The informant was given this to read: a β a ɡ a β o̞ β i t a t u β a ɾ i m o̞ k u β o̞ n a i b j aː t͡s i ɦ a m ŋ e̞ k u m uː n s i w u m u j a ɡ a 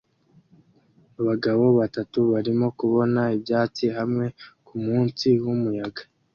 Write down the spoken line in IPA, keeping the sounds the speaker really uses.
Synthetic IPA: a β a ɡ a β o̞ β a t a t u β a ɾ i m o̞ k u β o̞ n a i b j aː t͡s i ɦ a m ŋ e̞ k u m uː n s i w u m u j a ɡ a